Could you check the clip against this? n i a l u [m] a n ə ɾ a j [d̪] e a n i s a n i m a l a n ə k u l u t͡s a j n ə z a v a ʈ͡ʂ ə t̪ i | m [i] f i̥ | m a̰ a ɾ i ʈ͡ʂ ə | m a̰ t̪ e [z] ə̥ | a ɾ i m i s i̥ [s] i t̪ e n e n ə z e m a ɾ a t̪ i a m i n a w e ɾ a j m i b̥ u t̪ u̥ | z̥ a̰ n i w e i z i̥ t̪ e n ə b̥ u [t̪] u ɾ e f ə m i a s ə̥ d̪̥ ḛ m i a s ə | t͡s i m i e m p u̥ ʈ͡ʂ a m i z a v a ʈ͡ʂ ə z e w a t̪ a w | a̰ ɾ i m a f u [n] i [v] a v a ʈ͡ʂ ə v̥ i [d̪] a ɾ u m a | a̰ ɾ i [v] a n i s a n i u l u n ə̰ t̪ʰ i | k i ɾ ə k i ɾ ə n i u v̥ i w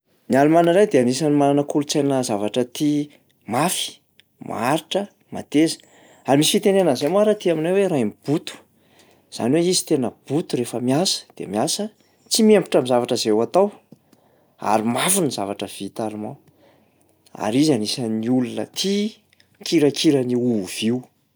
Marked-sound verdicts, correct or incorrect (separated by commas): correct, correct, incorrect, correct, incorrect, correct, correct, incorrect, incorrect, incorrect